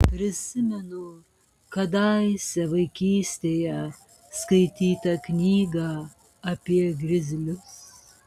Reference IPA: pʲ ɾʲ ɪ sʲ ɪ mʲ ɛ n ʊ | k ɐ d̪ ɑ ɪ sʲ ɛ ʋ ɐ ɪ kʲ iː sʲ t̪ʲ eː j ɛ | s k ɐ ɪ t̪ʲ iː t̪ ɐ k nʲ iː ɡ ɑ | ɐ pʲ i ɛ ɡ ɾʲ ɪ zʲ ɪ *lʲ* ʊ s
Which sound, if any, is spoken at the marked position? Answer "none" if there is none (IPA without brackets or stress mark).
lʲ